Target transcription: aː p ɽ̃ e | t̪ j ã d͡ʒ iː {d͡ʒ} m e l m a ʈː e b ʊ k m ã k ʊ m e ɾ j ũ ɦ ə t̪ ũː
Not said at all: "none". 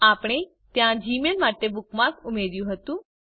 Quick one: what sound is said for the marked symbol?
none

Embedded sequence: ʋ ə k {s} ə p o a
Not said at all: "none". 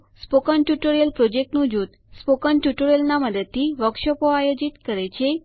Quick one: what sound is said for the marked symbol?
ʃ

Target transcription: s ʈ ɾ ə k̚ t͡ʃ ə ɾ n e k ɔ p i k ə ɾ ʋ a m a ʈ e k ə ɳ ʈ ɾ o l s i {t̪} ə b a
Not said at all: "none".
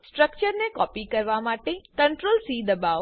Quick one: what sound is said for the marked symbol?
d̪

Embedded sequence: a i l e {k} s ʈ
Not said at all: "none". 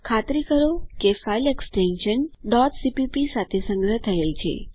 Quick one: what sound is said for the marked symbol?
k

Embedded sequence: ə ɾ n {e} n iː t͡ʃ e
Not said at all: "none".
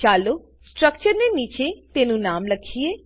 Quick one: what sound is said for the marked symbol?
e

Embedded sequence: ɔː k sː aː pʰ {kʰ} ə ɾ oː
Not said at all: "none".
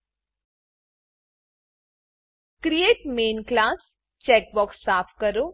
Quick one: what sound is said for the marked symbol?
k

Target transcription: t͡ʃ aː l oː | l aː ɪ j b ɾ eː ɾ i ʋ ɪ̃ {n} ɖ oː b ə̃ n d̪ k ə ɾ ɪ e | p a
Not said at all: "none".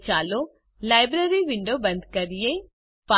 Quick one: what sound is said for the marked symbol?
ɳ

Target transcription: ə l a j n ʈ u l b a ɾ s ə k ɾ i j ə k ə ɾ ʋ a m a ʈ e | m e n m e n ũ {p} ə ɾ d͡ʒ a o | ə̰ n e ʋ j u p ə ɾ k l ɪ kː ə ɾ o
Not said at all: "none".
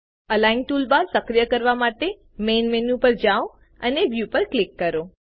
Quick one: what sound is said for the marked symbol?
p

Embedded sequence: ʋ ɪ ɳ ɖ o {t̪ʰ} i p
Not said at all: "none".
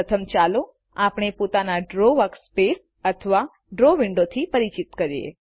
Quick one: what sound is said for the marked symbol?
t̪ʰ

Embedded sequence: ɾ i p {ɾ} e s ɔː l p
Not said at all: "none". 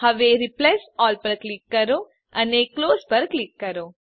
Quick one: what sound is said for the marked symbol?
l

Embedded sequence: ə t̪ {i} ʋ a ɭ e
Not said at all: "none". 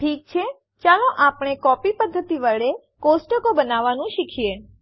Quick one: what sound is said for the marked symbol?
i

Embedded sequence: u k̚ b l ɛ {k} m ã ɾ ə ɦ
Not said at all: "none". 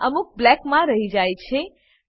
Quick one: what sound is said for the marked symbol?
k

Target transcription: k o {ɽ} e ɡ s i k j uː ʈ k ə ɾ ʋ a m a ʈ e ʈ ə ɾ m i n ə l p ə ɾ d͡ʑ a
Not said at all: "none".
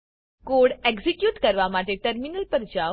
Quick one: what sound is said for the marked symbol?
ɽ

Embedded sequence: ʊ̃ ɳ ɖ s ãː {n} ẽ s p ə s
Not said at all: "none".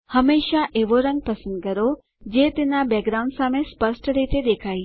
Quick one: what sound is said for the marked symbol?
m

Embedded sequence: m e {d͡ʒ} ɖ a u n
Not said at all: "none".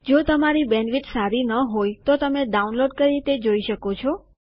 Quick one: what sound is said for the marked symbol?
none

